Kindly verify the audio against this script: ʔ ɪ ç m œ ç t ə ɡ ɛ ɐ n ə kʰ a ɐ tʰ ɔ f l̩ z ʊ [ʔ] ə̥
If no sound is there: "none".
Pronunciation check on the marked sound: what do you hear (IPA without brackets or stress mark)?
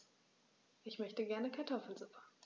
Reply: p